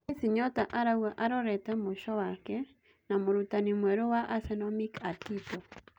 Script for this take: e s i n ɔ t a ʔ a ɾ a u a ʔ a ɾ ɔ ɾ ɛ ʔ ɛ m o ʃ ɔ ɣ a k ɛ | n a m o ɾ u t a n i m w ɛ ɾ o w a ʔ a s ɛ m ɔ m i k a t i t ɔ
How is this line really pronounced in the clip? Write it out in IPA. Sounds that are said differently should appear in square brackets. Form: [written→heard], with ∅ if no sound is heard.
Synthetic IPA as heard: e s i [n→ɲ] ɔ t a ʔ a ɾ a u a ʔ a ɾ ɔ ɾ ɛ [ʔ→t] ɛ m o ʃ ɔ [ɣ→w] a k ɛ | n a m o ɾ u t a n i m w ɛ ɾ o w a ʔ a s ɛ [m→n] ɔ m i k a t i t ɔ